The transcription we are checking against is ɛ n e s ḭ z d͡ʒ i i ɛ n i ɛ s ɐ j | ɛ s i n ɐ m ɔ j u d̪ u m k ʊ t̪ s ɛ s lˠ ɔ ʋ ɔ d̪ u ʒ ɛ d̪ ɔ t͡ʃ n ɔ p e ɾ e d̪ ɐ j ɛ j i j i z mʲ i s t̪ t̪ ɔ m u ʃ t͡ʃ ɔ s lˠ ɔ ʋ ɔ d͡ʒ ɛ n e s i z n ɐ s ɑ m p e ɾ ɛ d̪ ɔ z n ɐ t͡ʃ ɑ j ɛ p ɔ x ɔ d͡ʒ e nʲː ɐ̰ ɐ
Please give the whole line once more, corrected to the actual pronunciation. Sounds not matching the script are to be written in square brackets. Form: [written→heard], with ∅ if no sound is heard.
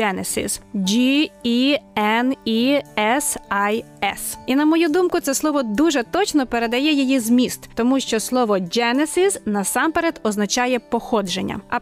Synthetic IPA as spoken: ɛ n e s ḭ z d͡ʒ i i ɛ n i ɛ s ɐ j | ɛ s i n ɐ m ɔ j u d̪ u m k ʊ t̪ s ɛ s lˠ ɔ ʋ ɔ d̪ u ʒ ɛ [d̪→t̪] ɔ t͡ʃ n ɔ p e ɾ e d̪ ɐ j ɛ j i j i z mʲ i s t̪ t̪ ɔ m u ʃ t͡ʃ ɔ s lˠ ɔ ʋ ɔ d͡ʒ ɛ n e s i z n ɐ s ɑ m p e ɾ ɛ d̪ ɔ z n ɐ t͡ʃ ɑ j ɛ p ɔ x ɔ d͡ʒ e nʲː ɐ̰ ɐ